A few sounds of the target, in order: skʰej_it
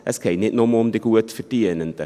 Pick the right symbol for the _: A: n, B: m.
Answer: A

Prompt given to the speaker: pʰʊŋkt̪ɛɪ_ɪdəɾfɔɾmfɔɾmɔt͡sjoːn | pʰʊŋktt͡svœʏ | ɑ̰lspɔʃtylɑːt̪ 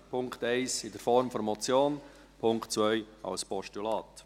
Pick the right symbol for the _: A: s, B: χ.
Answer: A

